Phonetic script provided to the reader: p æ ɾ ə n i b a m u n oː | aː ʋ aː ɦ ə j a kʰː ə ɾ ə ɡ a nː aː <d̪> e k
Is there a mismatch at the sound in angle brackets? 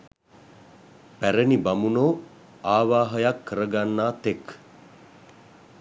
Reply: yes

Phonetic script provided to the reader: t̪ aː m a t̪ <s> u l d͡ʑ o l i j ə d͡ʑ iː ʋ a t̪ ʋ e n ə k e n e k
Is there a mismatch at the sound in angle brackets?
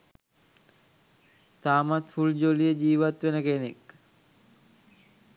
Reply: yes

